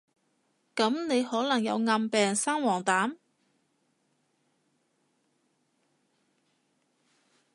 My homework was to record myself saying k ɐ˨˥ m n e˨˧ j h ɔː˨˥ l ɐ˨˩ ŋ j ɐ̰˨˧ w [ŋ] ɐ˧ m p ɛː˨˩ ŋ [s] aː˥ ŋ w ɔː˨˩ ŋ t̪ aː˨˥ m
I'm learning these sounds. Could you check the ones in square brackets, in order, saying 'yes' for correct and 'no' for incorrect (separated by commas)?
yes, yes